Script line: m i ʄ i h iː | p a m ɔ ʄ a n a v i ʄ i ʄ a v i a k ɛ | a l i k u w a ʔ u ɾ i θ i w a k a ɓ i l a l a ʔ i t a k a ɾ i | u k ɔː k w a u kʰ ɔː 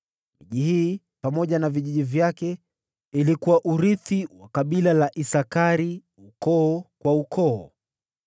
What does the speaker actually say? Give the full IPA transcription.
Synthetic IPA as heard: m i ʄ i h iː | p a m ɔ ʄ a n a v i ʄ i ʄ i v j a k ɛ | i l i k u w a ʔ u ɾ i θ i w a k a ɓ i l a l a ʔ i s a k a ɾ i | u k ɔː k w a u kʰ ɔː